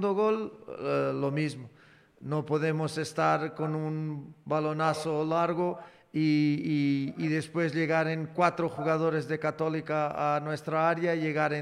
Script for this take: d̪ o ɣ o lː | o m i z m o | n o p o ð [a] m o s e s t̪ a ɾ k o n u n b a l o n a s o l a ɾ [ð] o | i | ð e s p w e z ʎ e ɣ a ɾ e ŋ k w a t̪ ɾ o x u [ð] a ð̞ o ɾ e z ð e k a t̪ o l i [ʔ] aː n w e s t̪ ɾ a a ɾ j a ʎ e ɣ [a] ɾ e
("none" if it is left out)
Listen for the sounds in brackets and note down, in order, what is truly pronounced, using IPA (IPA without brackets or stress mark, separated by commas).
e, ɣ, ɣ, k, a